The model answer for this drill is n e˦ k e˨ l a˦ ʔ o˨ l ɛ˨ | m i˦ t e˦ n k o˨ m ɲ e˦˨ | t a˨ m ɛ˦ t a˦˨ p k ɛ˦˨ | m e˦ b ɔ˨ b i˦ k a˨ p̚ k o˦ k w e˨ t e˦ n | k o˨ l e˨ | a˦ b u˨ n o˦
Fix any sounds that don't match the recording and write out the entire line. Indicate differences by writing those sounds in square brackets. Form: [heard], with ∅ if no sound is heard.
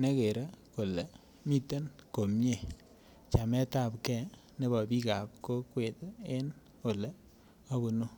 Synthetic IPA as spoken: n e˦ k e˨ [ɾ] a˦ [k] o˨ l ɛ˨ | m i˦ t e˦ n k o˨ m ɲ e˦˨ | [t͡ʃ] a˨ m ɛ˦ t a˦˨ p k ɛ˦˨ | [n] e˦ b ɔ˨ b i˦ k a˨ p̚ k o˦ k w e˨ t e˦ n | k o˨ l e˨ | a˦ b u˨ n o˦